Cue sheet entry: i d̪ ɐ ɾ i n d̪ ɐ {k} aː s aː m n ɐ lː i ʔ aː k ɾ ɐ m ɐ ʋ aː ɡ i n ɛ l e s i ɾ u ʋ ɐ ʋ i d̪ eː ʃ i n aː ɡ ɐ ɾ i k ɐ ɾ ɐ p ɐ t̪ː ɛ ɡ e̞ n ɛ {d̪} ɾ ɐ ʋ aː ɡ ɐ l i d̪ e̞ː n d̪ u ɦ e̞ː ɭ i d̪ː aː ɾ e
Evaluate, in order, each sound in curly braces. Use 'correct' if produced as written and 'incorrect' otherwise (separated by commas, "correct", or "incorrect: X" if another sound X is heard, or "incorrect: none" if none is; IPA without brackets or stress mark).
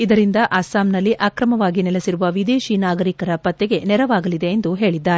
incorrect: ʔ, incorrect: none